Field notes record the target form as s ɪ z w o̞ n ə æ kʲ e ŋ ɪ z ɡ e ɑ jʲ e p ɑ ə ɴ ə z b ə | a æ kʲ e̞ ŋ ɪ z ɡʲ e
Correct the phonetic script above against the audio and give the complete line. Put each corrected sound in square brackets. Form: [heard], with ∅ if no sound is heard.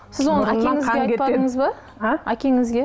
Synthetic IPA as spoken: s ɪ z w o̞ n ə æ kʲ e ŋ ɪ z ɡ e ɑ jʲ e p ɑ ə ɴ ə z b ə | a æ kʲ e̞ ŋ ɪ z ɡʲ e